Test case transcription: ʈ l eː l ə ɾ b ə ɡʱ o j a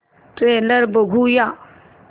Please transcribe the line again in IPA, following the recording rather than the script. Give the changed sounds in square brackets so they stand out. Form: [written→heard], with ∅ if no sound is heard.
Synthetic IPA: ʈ [l→ɾ] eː l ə ɾ b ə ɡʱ [o→u] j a